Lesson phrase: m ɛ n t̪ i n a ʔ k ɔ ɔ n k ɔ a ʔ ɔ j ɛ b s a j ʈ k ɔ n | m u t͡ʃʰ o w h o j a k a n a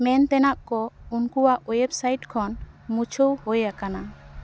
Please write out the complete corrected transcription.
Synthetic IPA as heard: m ɛ n t̪ ɛ n a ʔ k ɔ u n k u a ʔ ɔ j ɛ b s a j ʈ kʰ ɔ n | m u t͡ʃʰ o w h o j a k a n a